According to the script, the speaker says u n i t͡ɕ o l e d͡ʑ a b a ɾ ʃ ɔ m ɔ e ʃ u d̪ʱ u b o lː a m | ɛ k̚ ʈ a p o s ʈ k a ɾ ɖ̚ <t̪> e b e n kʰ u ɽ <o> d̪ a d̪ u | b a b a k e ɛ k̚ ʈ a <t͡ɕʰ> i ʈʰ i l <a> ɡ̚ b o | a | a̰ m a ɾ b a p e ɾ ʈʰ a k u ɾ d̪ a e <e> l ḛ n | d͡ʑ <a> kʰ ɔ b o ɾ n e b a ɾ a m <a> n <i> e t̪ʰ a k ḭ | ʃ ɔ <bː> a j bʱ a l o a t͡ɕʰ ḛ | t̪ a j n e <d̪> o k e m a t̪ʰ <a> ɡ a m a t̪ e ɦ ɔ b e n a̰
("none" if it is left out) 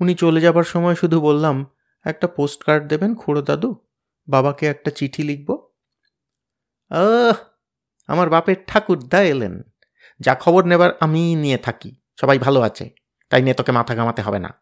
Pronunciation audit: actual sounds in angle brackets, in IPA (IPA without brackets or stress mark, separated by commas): d̪, o, t͡ɕ, i, e, a, i, i, b, t̪, a